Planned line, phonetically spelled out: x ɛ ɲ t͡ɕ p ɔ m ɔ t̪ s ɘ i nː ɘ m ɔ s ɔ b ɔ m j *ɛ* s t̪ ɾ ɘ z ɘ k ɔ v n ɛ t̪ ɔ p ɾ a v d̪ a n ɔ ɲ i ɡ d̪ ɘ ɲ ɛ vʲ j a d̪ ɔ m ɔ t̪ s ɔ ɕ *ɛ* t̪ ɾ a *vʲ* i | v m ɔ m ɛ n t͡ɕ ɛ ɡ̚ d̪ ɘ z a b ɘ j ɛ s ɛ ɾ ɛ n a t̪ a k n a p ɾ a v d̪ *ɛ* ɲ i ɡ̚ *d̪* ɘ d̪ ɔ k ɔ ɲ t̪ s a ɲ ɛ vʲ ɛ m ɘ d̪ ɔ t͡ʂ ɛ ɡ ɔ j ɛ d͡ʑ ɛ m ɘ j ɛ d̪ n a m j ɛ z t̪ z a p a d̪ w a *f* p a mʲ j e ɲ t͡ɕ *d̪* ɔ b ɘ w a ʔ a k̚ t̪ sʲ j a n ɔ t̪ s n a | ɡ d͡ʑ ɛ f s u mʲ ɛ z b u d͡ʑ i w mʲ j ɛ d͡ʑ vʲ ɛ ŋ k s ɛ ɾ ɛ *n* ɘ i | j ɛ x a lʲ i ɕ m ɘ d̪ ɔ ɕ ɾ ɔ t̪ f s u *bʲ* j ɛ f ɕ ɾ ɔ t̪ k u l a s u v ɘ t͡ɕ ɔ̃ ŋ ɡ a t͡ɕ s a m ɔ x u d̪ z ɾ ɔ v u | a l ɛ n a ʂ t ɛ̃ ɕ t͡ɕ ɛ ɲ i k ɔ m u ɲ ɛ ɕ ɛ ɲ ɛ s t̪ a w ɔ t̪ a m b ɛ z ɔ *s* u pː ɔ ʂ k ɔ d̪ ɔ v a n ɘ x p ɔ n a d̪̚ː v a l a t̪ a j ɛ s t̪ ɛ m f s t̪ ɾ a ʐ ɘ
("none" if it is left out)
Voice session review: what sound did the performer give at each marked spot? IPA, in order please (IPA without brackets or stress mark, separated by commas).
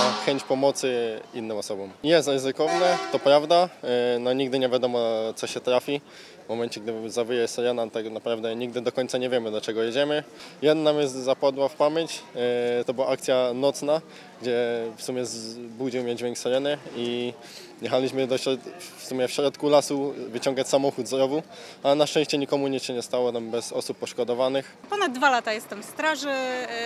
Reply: ɛ, ɛ, fʲ, ɛ, d̪, f, t̪, n, mʲ, s